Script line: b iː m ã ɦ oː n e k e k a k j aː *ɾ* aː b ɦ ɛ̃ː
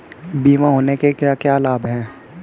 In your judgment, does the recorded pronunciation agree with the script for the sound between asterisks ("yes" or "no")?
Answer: no